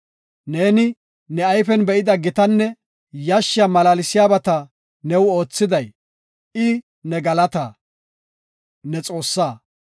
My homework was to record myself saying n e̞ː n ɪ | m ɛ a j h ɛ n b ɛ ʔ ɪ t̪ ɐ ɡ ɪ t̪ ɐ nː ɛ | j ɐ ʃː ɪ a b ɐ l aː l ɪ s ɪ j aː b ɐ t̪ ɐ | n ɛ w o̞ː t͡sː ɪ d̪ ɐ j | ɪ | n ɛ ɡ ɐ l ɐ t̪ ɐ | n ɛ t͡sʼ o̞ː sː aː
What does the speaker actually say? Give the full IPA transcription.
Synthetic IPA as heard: n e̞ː n ɪ | n ɛ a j f ɛ n b ɛ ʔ ɪ d̪ ɐ ɡ ɪ t̪ ɐ nː ɛ | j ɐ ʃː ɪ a m ɐ l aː l ɪ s ɪ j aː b ɐ t̪ ɐ | n ɛ w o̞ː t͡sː ɪ d̪ ɐ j | ɪ | n ɛ ɡ ɐ l ɐ t̪ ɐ | n ɛ t͡sʼ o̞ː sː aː